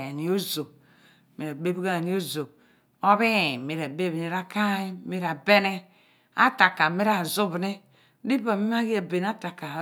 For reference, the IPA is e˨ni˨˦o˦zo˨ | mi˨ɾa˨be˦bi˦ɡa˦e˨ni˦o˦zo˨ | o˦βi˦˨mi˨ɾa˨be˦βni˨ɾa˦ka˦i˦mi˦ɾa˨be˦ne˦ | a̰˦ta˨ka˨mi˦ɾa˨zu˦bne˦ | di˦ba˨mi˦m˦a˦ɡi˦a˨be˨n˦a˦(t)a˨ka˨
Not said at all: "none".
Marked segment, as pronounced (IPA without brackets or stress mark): t